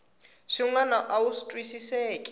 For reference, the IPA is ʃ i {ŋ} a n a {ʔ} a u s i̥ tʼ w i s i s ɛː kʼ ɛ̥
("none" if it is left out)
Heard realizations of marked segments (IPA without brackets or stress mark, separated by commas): ŋ, ʔ